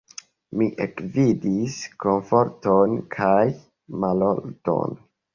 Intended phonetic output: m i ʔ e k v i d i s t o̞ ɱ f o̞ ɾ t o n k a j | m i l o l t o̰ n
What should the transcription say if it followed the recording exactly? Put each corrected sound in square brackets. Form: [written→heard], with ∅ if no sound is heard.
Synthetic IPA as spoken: m i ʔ e k v i d i s [t→k] o̞ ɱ f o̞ ɾ t o n [k→kʰ] a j | m [i→a] l o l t o̰ n